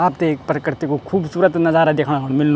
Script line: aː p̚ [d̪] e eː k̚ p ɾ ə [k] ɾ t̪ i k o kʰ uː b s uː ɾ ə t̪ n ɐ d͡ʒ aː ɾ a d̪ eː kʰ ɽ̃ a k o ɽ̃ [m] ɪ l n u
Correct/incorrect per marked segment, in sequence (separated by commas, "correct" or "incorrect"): incorrect, correct, correct